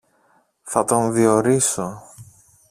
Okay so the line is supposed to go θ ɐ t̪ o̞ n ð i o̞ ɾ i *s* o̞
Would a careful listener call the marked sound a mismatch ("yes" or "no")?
no